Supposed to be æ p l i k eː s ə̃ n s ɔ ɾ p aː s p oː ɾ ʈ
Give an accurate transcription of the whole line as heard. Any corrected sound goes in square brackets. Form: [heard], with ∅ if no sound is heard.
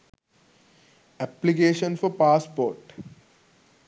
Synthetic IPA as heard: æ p l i k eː [ʃ] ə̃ n [f] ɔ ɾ p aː s p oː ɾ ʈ